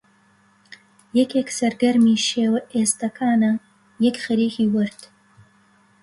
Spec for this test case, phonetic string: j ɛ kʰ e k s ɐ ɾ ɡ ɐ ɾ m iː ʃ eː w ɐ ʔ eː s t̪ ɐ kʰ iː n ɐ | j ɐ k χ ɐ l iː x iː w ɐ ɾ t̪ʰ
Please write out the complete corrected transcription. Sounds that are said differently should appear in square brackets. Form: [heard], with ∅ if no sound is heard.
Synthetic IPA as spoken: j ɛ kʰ e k s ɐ ɾ ɡ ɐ ɾ m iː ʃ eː w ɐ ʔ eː s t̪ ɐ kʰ [aː] n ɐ | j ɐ k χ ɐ [ɾ] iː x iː w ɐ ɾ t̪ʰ